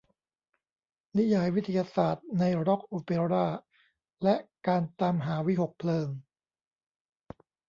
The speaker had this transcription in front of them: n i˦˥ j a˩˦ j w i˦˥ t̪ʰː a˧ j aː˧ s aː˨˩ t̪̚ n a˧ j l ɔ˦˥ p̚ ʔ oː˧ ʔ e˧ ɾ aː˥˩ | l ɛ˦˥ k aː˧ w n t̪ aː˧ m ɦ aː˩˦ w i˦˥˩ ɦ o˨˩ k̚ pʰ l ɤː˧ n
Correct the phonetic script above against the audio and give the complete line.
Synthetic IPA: n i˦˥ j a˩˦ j w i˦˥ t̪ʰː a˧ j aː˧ s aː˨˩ t̪̚ n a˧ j ɾ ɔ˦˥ k̚ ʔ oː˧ p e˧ ɾ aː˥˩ | l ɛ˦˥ k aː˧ n t̪ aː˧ m ɦ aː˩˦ w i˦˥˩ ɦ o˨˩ k̚ pʰ l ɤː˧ ŋ